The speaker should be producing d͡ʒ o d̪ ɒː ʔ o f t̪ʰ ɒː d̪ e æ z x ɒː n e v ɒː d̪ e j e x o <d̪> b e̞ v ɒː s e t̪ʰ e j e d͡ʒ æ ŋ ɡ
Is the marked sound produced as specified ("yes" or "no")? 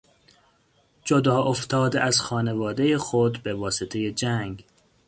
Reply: yes